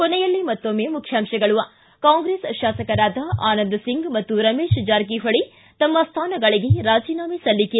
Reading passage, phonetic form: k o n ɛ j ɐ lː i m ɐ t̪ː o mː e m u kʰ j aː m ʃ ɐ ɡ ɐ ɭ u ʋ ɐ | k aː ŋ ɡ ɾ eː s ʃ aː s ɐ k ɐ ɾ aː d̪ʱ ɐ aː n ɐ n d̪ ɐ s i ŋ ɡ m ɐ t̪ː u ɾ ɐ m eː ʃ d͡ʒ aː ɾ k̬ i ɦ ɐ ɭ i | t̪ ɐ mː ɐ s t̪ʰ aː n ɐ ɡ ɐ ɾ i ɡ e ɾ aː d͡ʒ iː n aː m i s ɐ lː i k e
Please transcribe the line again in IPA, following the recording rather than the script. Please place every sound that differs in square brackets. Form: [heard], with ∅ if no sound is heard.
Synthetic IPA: k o n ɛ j ɐ lː i m ɐ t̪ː o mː e m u kʰ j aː m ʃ ɐ ɡ ɐ ɭ u ʋ ɐ | k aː ŋ ɡ ɾ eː s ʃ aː s ɐ k ɐ ɾ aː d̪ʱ ɐ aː n ɐ n d̪ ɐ s i ŋ ɡ m ɐ t̪ː u ɾ ɐ m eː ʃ d͡ʒ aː ɾ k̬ i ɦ ɐ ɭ i | t̪ ɐ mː ɐ s t̪ʰ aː n ɐ ɡ ɐ [ɭ] i ɡ e ɾ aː d͡ʒ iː n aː m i s ɐ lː i k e